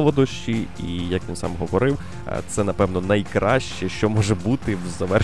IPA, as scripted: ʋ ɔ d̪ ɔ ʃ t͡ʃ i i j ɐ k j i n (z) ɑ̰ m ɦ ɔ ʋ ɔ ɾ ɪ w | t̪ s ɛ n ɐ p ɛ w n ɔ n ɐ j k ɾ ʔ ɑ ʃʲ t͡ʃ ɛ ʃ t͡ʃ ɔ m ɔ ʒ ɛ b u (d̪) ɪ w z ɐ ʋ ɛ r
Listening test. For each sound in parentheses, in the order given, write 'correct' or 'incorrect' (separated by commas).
incorrect, incorrect